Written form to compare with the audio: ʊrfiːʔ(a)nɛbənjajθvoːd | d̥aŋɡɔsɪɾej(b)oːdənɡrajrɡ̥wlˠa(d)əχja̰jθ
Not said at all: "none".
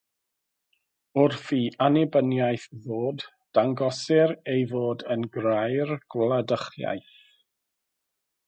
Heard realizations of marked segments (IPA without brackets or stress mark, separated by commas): a, v, d